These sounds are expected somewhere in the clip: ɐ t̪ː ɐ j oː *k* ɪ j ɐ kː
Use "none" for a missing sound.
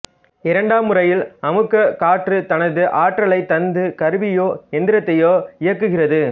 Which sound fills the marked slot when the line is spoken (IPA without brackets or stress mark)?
none